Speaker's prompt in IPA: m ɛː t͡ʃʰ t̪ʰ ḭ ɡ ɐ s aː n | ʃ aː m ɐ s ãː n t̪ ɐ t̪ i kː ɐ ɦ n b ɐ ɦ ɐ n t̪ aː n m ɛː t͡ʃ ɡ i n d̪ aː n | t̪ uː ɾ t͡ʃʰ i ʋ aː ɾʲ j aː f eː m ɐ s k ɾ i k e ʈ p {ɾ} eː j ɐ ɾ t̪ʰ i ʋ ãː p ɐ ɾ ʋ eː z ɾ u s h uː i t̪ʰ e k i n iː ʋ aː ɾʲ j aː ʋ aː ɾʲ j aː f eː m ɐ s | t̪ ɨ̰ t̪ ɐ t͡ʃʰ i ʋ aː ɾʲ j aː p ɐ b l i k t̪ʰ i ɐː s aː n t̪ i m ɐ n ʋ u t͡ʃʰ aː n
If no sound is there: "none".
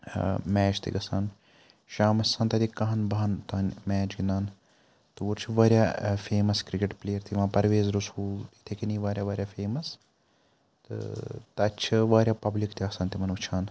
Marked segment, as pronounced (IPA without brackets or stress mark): l